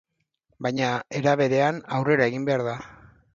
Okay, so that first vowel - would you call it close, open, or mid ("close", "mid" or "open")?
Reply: open